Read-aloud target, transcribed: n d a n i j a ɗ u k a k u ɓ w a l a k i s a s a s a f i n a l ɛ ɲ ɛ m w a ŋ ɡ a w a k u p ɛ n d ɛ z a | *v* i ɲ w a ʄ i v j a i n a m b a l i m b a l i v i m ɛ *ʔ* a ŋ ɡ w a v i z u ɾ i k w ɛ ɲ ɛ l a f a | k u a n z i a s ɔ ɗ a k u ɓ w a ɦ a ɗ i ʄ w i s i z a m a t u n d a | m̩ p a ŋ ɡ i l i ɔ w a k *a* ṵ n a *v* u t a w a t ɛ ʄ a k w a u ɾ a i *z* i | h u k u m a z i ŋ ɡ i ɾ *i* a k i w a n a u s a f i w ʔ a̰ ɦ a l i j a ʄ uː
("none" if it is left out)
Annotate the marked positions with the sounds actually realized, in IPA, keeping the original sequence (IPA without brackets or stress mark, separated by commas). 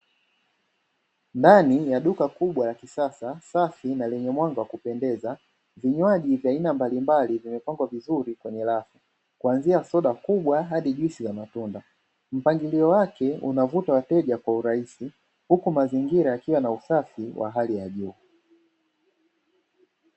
v, p, ɛ, v, s, a